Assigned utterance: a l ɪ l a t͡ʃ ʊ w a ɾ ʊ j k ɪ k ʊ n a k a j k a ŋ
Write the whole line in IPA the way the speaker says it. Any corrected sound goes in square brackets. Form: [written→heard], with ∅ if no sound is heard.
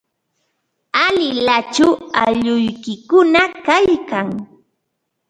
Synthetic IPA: a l ɪ l a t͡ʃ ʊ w a [ɾ→ʎ] ʊ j k ɪ k ʊ n a k a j k a ŋ